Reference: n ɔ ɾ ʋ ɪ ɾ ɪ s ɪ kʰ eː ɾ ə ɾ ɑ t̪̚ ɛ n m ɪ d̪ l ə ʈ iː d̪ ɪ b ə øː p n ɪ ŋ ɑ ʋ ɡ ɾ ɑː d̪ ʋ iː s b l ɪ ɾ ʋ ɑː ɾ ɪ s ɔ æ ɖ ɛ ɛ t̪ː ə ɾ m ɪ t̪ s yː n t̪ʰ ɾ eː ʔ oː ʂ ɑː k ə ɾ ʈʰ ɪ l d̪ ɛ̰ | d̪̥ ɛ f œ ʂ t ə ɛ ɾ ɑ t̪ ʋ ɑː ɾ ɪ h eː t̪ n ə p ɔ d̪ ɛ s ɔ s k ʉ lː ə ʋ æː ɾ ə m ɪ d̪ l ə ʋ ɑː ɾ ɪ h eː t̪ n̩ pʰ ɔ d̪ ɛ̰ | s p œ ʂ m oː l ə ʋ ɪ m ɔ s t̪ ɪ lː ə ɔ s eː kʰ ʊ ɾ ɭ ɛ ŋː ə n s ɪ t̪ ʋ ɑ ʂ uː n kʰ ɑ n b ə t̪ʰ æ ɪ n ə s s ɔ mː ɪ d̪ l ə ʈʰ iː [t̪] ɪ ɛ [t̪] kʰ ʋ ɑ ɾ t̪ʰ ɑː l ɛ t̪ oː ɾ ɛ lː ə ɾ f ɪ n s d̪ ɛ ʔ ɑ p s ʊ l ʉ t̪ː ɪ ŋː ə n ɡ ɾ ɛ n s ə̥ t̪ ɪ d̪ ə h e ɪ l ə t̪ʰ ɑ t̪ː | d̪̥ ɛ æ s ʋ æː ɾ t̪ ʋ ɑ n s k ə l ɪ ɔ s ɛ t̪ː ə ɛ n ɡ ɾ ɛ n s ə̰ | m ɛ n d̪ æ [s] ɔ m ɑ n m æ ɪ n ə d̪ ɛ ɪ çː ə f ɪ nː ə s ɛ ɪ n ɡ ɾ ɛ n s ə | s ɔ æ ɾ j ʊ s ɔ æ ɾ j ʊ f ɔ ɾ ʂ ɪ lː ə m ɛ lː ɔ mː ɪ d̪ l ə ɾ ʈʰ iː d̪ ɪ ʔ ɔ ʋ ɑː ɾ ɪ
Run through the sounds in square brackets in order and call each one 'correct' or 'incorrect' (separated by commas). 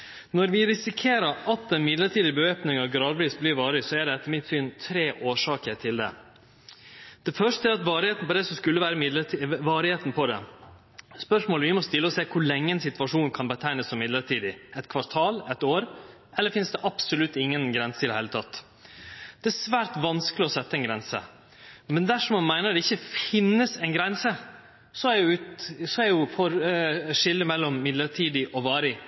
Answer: incorrect, correct, incorrect